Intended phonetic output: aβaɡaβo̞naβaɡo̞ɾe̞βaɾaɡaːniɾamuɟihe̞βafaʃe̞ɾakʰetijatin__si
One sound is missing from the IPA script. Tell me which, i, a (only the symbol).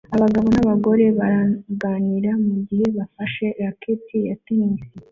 i